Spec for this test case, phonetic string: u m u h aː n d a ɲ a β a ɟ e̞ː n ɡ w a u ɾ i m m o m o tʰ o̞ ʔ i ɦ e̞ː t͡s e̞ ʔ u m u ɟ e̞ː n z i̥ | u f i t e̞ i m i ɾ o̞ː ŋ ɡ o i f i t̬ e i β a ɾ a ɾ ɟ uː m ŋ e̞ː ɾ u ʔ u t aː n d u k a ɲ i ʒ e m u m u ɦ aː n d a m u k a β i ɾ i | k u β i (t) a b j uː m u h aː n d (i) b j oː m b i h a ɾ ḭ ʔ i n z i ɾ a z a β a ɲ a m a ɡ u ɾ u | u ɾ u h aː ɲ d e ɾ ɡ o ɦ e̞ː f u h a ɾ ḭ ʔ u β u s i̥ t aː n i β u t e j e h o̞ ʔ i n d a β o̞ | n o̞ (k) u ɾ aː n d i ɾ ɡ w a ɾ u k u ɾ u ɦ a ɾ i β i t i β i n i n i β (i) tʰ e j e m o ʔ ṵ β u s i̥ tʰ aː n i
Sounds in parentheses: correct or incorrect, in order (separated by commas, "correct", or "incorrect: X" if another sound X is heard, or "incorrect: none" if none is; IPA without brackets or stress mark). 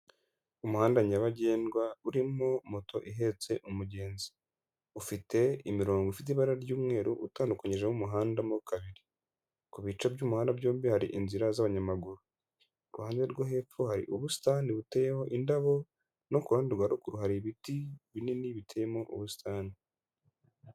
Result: incorrect: t͡ʃ, incorrect: a, correct, correct